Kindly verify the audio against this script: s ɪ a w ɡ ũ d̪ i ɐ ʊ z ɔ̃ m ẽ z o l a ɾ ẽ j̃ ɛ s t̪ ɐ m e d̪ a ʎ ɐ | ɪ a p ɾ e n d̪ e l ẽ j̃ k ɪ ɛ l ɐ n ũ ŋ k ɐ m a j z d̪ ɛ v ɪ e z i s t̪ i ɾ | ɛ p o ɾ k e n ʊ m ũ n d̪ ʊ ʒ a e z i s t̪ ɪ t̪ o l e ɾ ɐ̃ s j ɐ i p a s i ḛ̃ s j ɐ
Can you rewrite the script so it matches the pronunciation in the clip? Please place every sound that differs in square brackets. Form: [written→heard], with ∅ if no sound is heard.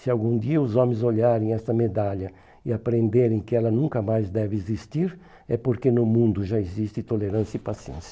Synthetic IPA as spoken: s ɪ a w ɡ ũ d̪ i ɐ ʊ z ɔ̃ m ẽ z o [l→ʎ] a ɾ ẽ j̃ ɛ s t̪ ɐ m e d̪ a ʎ ɐ | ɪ a p ɾ [e→ẽ] n d̪ e [l→ɾ] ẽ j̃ k ɪ ɛ l ɐ n ũ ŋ k ɐ m a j z d̪ ɛ v ɪ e z i s t̪ i ɾ | ɛ p o ɾ k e n ʊ m ũ n d̪ ʊ ʒ a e z i s t̪ ɪ t̪ o l e ɾ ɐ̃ s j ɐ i p a s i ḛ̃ s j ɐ